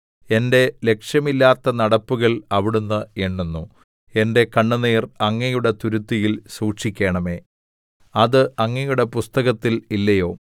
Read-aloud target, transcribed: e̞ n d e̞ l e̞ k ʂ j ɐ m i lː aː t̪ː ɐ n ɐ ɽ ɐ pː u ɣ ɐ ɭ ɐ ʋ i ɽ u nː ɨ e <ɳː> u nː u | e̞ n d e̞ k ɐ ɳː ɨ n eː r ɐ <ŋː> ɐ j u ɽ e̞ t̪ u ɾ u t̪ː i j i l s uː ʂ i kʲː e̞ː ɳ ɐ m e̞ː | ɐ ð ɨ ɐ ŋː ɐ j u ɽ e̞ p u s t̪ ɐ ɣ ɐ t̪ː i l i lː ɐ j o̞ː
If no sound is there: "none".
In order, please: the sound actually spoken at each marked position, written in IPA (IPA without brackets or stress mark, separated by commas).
ɳː, ŋː